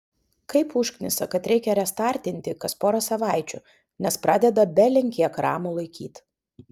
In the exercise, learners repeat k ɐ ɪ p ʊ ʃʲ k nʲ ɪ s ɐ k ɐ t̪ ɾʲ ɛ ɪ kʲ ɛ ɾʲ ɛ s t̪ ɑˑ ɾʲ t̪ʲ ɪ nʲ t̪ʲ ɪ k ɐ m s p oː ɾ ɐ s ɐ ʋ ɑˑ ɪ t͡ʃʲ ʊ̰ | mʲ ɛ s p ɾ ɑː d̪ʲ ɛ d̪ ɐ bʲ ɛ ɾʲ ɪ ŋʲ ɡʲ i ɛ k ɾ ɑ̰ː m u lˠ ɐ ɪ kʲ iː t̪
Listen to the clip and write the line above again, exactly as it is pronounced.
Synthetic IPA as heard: k ɐ ɪ p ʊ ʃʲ k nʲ ɪ s ɐ k ɐ t̪ ɾʲ ɛ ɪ kʲ ɛ ɾʲ ɛ s t̪ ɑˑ ɾʲ t̪ʲ ɪ nʲ t̪ʲ ɪ k ɐ s p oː ɾ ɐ s ɐ ʋ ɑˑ ɪ t͡ʃʲ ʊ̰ | nʲ ɛ s p ɾ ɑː d̪ʲ ɛ d̪ ɐ bʲ ɛ lʲ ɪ ŋʲ kʲ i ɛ k ɾ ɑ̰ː m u lˠ ɐ ɪ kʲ iː t̪